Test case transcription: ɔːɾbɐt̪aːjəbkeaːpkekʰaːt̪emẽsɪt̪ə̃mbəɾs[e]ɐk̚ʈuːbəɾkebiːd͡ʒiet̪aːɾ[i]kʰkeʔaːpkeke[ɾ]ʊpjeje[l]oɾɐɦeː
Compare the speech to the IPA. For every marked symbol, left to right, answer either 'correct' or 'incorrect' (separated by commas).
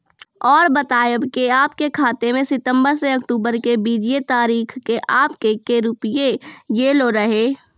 correct, incorrect, correct, correct